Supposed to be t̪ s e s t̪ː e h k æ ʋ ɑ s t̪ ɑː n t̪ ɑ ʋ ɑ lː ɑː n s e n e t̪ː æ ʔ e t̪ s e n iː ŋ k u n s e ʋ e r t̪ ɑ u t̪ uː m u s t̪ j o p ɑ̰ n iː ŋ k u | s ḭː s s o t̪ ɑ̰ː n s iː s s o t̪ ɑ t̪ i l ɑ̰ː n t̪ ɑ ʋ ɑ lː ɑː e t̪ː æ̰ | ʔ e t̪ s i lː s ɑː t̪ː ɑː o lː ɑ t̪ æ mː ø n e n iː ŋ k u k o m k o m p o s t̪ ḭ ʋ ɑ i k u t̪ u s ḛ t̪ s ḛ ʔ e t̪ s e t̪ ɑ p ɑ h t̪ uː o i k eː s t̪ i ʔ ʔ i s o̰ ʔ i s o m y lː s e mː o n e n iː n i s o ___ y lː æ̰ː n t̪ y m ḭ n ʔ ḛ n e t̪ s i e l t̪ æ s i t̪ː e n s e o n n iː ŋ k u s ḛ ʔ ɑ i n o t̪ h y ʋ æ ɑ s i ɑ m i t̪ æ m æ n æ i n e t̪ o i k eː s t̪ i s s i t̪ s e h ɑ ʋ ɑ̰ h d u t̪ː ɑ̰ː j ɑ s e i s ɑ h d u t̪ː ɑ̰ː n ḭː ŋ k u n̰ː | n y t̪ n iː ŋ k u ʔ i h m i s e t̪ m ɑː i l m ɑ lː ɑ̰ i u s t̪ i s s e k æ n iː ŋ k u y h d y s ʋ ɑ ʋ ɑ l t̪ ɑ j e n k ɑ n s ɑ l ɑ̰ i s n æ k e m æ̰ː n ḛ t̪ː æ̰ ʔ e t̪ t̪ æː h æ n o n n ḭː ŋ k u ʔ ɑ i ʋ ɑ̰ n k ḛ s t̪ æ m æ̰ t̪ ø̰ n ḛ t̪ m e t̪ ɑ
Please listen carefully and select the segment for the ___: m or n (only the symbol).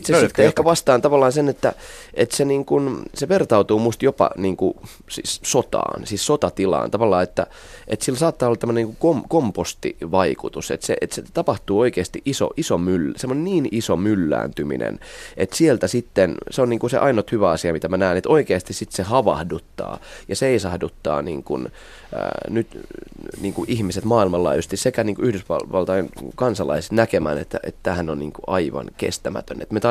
m